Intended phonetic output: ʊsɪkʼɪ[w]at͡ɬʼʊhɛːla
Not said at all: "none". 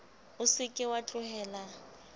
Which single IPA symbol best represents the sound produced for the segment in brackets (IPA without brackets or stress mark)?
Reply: w